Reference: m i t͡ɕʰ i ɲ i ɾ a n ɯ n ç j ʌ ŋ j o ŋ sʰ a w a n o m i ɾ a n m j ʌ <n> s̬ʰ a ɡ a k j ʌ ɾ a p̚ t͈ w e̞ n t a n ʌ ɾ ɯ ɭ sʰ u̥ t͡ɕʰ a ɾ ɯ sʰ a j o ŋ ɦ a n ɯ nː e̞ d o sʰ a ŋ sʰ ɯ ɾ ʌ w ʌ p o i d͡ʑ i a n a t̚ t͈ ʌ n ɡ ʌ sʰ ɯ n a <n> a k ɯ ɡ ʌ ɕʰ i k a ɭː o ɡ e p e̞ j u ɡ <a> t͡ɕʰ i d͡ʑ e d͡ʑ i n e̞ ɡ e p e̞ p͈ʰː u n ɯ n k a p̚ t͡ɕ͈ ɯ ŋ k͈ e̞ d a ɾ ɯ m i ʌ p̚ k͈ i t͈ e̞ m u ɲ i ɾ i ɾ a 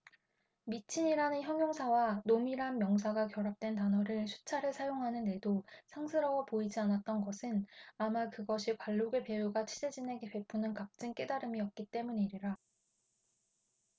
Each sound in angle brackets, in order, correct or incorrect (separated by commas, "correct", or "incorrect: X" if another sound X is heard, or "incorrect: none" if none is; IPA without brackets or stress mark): incorrect: ŋ, incorrect: m, correct